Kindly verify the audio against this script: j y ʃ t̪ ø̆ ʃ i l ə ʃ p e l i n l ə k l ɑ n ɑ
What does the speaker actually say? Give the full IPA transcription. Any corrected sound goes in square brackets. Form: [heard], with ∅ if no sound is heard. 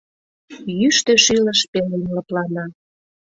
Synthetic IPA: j y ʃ t̪ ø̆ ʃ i l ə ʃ p e l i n l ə [p] l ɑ n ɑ